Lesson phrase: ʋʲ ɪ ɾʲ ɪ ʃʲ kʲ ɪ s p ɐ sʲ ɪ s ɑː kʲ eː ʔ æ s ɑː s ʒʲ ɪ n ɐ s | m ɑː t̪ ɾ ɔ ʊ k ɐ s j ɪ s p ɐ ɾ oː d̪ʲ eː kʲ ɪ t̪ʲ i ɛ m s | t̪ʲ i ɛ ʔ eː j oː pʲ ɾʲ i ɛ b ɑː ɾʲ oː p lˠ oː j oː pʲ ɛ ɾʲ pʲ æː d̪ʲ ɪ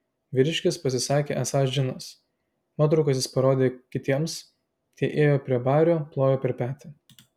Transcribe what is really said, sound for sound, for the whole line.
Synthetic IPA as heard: ʋʲ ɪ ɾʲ ɪ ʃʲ kʲ ɪ s p ɐ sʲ ɪ s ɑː kʲ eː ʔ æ s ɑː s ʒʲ ɪ n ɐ s | m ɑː t̪ ɾ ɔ ʊ k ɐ s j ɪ s p ɐ ɾ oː d̪ʲ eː kʲ ɪ t̪ʲ i ɛ m s | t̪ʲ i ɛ ʔ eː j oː pʲ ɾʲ i ɛ b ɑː ɾʲ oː p lˠ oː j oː pʲ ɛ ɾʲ pʲ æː t̪ʲ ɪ

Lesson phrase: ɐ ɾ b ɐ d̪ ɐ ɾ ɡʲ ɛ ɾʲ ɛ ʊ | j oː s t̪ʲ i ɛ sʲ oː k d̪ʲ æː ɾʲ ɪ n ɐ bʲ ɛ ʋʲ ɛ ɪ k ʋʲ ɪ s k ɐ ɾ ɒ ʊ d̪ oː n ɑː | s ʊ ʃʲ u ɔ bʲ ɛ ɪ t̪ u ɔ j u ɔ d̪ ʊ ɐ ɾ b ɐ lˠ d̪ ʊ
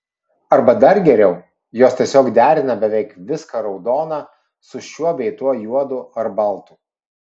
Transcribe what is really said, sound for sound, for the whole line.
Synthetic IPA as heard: ɐ ɾ b ɐ d̪ ɐ ɾ ɡʲ ɛ ɾʲ ɛ ʊ | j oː s t̪ʲ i ɛ sʲ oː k d̪ʲ æː ɾʲ ɪ n ɐ bʲ ɛ ʋʲ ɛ ɪ k ʋʲ ɪ s k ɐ ɾ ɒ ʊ d̪ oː n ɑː | s ʊ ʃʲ u ɔ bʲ ɛ ɪ t̪ u ɔ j u ɔ d̪ ʊ ɐ ɾ b ɐ lˠ t̪ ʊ

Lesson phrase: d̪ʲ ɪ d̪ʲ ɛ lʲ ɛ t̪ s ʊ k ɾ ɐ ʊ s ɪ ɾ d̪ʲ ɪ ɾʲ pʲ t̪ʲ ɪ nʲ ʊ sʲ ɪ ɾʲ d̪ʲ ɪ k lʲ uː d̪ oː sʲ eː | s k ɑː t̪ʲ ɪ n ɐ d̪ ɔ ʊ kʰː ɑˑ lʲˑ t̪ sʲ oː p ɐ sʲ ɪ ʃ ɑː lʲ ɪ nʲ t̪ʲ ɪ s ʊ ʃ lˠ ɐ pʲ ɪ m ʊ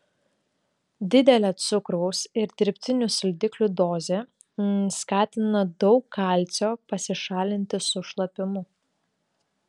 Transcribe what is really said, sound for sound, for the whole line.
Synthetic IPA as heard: d̪ʲ ɪ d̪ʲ ɛ lʲ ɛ t̪ s ʊ k ɾ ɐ ʊ s ɪ ɾ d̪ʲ ɪ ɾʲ pʲ t̪ʲ ɪ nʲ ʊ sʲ ɪ lʲ d̪ʲ ɪ k lʲ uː d̪ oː zʲ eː | s k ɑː t̪ʲ ɪ n ɐ d̪ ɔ ʊ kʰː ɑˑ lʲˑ t̪ sʲ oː p ɐ sʲ ɪ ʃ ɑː lʲ ɪ nʲ t̪ʲ ɪ s ʊ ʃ lˠ ɐ pʲ ɪ m ʊ

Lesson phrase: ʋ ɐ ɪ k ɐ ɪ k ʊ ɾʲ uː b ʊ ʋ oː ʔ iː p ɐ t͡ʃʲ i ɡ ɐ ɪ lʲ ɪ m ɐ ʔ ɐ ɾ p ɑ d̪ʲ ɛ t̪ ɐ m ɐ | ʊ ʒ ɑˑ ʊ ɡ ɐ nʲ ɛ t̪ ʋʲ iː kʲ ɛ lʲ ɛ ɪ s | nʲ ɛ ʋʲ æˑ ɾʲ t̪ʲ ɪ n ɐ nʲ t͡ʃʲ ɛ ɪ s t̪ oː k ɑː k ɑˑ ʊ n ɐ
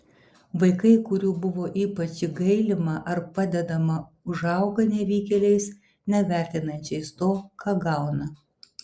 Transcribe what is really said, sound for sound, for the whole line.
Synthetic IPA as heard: ʋ ɐ ɪ k ɐ ɪ k ʊ ɾʲ uː b ʊ ʋ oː ʔ iː p ɐ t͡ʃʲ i ɡ ɐ ɪ lʲ ɪ m ɐ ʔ ɐ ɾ p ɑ d̪ʲ ɛ d̪ ɐ m ɐ | ʊ ʒ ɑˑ ʊ ɡ ɐ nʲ ɛ ʋʲ iː kʲ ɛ lʲ ɛ ɪ s | nʲ ɛ ʋʲ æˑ ɾʲ t̪ʲ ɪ n ɐ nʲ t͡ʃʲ ɛ ɪ s t̪ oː k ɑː ɡ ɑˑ ʊ n ɐ

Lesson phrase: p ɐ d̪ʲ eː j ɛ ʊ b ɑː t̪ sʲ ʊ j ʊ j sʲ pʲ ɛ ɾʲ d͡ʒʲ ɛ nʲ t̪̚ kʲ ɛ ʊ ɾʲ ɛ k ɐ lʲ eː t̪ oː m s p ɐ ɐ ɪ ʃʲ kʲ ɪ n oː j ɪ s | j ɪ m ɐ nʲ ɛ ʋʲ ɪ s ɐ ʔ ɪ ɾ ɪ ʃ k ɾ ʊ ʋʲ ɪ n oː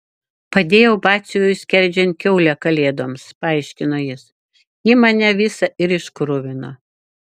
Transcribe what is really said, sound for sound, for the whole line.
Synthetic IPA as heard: p ɐ d̪ʲ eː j ɛ ʊ b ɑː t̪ sʲ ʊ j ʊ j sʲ kʲ ɛ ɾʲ d͡ʒʲ ɛ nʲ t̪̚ kʲ ɛ ʊ lʲ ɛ k ɐ lʲ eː d̪ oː m s p ɐ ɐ ɪ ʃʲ kʲ ɪ n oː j ɪ s | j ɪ m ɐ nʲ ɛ ʋʲ ɪ s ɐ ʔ ɪ ɾ ɪ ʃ k ɾ ʊ ʋʲ ɪ n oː

